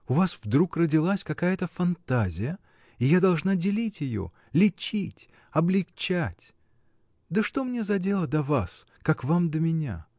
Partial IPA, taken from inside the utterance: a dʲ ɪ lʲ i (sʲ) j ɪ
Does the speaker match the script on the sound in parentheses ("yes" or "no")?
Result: no